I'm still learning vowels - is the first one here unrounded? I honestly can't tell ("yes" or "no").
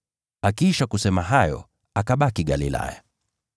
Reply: yes